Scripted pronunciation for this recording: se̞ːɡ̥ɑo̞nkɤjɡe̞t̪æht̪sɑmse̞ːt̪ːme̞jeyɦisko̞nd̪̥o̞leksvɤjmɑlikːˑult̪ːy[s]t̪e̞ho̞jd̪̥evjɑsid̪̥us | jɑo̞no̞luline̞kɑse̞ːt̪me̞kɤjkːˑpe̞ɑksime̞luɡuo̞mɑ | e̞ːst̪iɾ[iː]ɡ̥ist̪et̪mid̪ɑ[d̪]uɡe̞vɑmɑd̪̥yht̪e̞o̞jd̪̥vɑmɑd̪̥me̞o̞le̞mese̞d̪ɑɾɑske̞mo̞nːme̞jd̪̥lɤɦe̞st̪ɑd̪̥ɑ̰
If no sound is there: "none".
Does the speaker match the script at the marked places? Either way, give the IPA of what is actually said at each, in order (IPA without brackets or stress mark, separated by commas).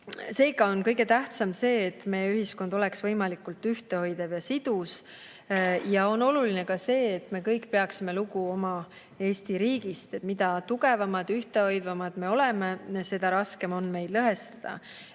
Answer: h, iː, t̪